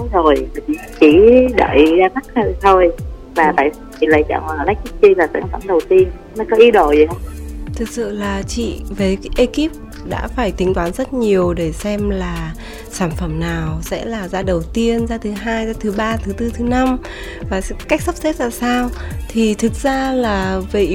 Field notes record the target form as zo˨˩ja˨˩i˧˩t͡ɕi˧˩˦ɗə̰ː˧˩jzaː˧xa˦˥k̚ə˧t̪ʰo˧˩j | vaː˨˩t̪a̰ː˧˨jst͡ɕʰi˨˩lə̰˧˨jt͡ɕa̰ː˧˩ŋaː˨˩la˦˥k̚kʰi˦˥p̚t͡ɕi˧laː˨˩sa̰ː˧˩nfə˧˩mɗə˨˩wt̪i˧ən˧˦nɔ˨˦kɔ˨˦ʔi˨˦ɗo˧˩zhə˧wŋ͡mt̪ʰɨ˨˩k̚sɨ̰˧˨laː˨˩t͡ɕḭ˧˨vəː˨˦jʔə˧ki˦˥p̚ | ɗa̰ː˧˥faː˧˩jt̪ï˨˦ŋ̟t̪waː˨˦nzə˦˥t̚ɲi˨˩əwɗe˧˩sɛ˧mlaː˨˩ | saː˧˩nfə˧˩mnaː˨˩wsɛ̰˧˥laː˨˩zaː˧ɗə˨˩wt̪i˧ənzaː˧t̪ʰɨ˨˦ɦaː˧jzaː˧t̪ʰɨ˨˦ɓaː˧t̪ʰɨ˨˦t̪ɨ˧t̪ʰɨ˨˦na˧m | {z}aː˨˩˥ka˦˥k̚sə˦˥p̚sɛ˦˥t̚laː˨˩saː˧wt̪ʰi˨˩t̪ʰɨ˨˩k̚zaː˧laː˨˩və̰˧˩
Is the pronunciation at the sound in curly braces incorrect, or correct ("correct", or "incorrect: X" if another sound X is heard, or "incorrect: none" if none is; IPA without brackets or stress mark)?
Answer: incorrect: v